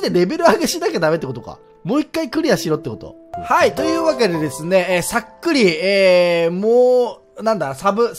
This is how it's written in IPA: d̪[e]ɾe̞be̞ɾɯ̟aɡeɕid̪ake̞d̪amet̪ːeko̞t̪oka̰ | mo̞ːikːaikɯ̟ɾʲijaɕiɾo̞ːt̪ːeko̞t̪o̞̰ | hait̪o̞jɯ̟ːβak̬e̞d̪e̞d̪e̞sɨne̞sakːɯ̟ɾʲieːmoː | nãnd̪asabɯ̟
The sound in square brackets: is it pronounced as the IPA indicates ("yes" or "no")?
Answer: yes